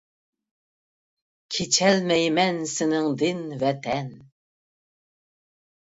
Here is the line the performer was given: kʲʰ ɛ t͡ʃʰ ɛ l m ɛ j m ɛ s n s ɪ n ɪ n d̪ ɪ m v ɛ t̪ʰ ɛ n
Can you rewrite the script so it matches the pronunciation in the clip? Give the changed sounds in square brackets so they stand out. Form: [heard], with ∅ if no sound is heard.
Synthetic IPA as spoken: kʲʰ [e] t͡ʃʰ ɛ l m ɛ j m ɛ [∅] n s ɪ n ɪ [ŋ] d̪ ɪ [n] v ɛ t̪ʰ ɛ n

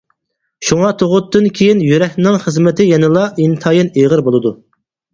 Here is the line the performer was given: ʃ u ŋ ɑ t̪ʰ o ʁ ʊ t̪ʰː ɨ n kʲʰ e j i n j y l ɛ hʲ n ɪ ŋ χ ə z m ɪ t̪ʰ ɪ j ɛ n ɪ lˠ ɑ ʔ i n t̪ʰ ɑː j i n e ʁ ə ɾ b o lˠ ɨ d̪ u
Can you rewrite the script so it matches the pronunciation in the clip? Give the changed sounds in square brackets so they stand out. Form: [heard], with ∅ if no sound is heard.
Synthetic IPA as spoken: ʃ u ŋ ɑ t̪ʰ o ʁ ʊ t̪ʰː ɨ n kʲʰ e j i n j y [ɾ] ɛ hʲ n ɪ ŋ χ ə z m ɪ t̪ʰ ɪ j ɛ n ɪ lˠ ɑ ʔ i n t̪ʰ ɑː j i n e ʁ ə ɾ b o lˠ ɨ d̪ u

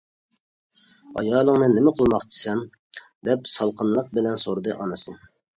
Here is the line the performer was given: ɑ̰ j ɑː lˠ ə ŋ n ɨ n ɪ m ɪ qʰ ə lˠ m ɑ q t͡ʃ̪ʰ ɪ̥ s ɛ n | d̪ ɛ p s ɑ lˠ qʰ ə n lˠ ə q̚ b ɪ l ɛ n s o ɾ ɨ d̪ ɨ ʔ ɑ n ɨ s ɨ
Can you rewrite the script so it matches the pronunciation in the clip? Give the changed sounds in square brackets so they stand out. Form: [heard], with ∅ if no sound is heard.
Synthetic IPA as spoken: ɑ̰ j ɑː lˠ ə ŋ n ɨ n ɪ m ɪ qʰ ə lˠ m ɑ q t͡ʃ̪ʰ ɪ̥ s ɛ n | d̪ ɛ p s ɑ lˠ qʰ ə n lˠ ə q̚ b ɪ l ɛ n s o ɾ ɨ d̪ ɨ ʔ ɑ n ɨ s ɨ

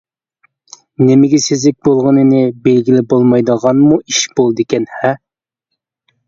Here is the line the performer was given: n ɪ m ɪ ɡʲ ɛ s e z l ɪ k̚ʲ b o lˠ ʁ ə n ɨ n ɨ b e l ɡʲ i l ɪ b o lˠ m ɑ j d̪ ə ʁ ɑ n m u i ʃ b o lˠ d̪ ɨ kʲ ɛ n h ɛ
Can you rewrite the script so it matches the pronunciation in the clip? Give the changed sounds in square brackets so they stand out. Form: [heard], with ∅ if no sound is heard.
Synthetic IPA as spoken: n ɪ m ɪ ɡʲ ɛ s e z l ɪ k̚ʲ b o lˠ ʁ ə n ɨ n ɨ b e l ɡʲ i l ɪ b o lˠ m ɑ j d̪ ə ʁ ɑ n m u i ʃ b o lˠ d̪ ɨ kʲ ɛ n h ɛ

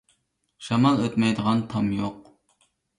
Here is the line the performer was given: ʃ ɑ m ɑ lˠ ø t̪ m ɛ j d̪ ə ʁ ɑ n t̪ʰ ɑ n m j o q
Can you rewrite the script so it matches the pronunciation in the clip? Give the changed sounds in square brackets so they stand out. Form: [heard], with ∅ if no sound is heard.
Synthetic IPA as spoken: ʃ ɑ m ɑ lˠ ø t̪ m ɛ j d̪ ə ʁ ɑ n t̪ʰ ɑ [∅] m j o q

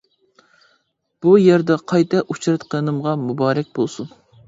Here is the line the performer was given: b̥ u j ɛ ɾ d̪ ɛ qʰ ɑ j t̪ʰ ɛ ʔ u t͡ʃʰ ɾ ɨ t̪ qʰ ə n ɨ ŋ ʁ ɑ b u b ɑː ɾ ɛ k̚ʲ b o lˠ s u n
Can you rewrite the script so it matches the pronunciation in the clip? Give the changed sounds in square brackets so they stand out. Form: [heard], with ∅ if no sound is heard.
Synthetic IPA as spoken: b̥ u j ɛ ɾ d̪ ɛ qʰ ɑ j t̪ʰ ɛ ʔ u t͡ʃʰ ɾ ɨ t̪ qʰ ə n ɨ [m] ʁ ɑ [m] u b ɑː ɾ ɛ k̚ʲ b o lˠ s u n

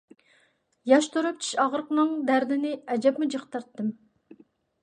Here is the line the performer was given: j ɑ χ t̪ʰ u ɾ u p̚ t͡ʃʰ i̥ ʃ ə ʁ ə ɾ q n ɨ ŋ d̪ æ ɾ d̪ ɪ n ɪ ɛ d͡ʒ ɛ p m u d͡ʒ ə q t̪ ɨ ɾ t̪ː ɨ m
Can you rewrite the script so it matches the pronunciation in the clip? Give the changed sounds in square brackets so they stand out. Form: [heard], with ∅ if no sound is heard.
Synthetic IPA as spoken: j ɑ [ʃ] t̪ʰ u ɾ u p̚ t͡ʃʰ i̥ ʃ [ɑ] ʁ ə ɾ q n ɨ ŋ d̪ æ ɾ d̪ ɪ n ɪ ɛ d͡ʒ ɛ p m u d͡ʒ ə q t̪ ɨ ɾ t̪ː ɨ m

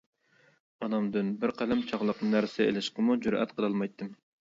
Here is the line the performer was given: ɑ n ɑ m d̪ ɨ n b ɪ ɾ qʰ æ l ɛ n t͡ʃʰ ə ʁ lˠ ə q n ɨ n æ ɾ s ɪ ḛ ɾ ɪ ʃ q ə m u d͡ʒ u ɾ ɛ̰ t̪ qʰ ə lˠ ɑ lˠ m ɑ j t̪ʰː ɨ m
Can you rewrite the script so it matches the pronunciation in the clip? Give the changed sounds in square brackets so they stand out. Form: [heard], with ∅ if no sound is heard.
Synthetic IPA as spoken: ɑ n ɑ m d̪ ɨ n b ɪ ɾ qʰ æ l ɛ [m] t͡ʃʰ [ɑ] ʁ lˠ ə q n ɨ n æ ɾ s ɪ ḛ [l] ɪ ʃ q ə m u d͡ʒ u ɾ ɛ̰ t̪ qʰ ə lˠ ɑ lˠ m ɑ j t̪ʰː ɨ m

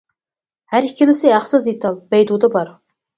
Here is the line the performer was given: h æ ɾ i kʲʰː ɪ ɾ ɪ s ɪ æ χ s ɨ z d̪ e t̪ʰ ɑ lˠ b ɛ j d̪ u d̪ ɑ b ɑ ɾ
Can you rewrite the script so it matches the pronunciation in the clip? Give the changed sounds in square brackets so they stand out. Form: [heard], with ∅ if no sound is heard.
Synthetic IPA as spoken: h æ ɾ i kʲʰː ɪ [l] ɪ s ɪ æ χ s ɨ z d̪ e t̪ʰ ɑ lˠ b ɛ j d̪ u d̪ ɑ b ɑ ɾ

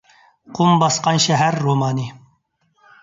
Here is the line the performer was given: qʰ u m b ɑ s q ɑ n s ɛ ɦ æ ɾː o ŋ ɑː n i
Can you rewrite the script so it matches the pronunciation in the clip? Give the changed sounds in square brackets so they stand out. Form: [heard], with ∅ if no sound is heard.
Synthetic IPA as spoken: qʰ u m b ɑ s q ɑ n [ʃ] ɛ ɦ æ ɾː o [m] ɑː n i

